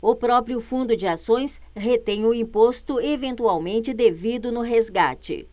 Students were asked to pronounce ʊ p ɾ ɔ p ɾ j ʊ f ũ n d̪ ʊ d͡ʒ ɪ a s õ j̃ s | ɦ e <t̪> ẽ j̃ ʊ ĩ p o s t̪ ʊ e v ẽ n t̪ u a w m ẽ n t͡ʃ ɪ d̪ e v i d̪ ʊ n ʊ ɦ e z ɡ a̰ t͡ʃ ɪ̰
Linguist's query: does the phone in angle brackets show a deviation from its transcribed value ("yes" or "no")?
no